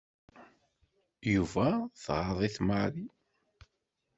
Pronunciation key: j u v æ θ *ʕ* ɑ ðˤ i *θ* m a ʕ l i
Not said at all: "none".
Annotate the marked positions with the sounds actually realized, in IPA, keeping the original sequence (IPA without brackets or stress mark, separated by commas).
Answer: ʁ, θ